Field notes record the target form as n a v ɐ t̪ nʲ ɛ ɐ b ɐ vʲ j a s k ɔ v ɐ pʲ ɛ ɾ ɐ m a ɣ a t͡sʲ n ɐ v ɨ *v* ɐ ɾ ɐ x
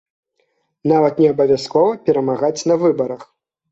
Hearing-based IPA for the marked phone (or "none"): b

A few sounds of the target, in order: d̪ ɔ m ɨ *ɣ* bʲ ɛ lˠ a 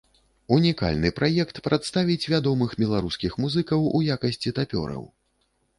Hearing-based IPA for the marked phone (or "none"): x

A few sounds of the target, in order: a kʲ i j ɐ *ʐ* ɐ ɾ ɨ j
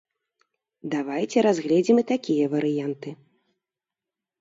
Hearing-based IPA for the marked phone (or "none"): v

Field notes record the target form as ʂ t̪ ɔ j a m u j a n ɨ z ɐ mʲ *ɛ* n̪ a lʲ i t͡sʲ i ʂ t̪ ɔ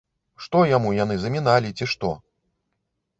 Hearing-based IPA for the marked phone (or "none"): i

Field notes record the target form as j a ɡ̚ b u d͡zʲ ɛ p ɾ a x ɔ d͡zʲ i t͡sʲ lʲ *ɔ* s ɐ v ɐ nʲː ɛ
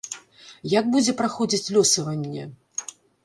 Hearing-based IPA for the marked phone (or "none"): ɔ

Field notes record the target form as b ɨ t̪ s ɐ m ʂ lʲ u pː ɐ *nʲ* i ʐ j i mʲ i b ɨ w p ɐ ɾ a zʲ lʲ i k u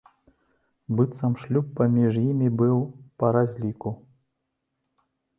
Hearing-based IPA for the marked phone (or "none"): mʲ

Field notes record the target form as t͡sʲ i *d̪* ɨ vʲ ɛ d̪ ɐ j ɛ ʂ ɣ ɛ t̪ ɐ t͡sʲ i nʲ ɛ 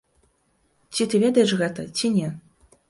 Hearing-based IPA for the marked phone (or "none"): t̪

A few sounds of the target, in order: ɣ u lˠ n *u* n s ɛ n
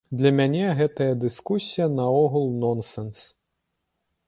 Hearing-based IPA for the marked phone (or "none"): ɔ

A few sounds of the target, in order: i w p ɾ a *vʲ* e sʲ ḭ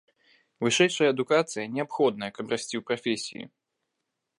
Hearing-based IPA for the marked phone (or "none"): fʲ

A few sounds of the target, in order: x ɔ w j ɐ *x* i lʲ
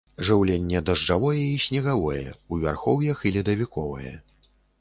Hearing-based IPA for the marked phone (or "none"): x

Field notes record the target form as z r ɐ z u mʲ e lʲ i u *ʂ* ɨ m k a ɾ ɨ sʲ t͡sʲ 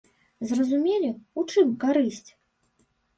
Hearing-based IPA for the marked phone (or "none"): t͡ʂ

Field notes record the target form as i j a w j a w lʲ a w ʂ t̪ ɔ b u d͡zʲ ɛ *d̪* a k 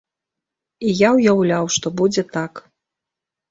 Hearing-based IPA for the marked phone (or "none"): t̪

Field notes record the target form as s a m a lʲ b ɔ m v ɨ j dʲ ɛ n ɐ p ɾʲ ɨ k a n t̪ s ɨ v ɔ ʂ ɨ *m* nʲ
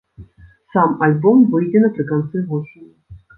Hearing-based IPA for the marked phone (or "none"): none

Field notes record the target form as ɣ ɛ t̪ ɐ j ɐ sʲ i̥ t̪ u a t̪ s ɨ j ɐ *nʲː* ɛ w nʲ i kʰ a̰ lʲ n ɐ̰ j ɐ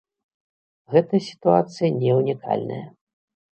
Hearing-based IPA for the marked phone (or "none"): nʲ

